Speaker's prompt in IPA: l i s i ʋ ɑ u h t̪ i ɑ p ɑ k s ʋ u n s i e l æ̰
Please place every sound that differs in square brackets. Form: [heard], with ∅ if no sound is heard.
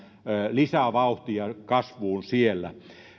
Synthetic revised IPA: l i s [æ] ʋ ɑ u h t̪ i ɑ [k] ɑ [∅] s ʋ [uː] n s i e [lː] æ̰